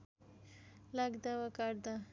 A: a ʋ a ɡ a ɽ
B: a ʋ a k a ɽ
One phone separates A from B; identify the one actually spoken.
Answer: B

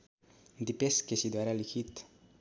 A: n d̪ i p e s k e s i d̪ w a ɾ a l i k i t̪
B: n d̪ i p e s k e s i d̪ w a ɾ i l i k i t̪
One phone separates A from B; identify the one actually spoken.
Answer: A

